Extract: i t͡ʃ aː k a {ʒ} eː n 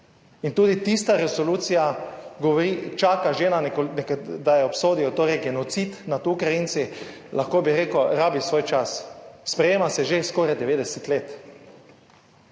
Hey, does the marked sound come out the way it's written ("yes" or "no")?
yes